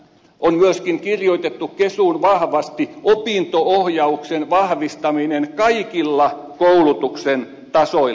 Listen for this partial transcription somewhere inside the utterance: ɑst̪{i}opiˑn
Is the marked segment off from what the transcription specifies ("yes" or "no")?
no